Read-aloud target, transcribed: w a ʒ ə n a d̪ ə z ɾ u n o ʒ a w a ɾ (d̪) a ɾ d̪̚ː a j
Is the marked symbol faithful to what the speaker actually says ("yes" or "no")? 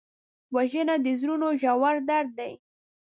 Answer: yes